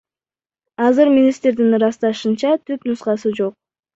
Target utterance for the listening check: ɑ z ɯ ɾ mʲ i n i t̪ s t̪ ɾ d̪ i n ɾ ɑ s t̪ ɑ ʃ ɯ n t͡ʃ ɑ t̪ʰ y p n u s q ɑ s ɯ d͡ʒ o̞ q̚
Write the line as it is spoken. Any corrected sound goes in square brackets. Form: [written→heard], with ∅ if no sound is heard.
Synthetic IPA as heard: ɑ z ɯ ɾ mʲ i n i [t̪→∅] s t̪ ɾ d̪ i n ɾ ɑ s t̪ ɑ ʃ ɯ n t͡ʃ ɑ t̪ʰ y p n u s q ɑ s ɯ d͡ʒ o̞ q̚